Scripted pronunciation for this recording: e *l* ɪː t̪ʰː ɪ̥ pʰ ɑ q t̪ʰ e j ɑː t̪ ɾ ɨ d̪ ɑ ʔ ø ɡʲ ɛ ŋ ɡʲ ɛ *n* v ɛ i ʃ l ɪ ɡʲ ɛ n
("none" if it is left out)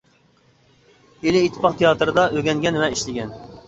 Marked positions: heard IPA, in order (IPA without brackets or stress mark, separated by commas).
l, n